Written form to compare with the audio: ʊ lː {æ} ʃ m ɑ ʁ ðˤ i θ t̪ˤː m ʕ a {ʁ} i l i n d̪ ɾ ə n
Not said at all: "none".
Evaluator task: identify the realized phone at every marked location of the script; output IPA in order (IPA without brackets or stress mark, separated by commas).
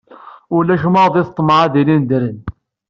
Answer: æ, ð